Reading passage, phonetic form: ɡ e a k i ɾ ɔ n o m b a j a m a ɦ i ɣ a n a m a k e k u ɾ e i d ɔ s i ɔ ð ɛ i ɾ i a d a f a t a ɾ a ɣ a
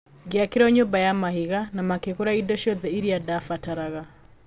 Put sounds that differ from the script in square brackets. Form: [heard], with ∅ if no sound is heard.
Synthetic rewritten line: ɡ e a k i ɾ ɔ [ɲ] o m b a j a m a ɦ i ɣ a n a m a k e k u ɾ [a] i d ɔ [ʃ] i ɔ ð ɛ i ɾ i a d a f a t a ɾ a ɣ a

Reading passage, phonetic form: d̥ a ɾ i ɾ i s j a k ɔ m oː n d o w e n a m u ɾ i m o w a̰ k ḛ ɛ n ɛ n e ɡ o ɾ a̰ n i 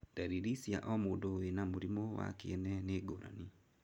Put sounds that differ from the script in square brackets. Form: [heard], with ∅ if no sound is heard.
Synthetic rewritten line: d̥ a ɾ i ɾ i s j a [ʔ] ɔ m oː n d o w e n a m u ɾ i m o w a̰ k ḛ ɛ n ɛ n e ɡ o ɾ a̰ n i

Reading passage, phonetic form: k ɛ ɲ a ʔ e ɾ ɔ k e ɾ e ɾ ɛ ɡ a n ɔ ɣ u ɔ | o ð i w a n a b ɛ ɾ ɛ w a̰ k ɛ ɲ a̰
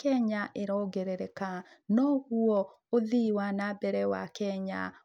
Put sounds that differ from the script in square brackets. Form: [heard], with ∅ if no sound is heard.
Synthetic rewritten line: k ɛ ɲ a ʔ e ɾ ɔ [ɡ] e ɾ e ɾ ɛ [k] a n ɔ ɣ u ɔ | o ð i w a n a b ɛ ɾ ɛ w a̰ k ɛ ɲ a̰

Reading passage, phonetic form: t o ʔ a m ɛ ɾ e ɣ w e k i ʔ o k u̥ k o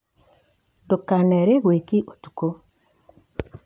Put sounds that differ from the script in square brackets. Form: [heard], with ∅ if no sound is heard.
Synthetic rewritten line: [d] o [k] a [n] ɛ ɾ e ɣ w e k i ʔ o [t] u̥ k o

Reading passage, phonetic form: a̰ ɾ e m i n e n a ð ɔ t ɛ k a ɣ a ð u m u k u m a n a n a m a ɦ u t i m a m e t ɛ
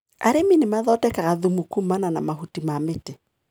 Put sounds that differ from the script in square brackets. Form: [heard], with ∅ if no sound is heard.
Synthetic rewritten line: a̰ ɾ e m i n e [m] a ð ɔ t ɛ k a ɣ a ð u m u k u m a n a n a m a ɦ u t i m a m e t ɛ

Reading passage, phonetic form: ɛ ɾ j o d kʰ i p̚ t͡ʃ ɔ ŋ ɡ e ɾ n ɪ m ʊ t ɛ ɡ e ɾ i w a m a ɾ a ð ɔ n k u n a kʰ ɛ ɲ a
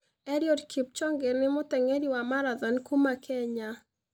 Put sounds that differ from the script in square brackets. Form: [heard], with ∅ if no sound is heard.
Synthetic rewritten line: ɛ ɾ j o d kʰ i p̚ t͡ʃ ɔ ŋ ɡ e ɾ n ɪ m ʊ t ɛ [ŋ] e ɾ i w a m a ɾ a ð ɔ n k u [m] a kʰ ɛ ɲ a

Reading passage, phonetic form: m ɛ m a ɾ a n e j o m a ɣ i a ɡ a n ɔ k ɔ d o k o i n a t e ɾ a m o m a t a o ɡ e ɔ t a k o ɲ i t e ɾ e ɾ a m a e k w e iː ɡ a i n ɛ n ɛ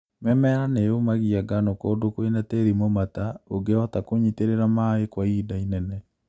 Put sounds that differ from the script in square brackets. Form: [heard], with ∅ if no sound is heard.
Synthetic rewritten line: m ɛ m [ɛ] ɾ a n e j o m a ɣ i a ɡ a n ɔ k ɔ d o k o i n a t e ɾ [i] m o m a t a o ɡ e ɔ t a k o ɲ i t e ɾ e ɾ a m a e k w [a] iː [d] a i n ɛ n ɛ

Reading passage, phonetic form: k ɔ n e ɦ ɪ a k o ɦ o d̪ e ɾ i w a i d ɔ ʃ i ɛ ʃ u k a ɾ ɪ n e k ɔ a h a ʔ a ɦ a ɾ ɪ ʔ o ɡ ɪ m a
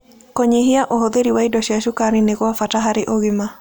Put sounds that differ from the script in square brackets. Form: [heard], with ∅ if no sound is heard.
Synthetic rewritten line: k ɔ [ɲ] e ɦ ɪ a [ʔ] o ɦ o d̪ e ɾ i w a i d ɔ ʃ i [a] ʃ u k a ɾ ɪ n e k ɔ a [f] a [t] a ɦ a ɾ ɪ ʔ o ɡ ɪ m a

